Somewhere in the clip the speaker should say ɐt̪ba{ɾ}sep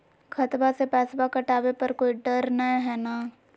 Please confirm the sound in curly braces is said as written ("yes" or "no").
no